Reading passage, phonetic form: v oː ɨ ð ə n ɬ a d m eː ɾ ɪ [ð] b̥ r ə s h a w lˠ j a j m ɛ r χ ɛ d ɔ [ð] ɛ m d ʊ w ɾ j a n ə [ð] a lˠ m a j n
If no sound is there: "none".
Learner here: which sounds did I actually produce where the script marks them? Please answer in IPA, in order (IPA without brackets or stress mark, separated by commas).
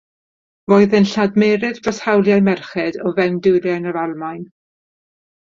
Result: ð, v, v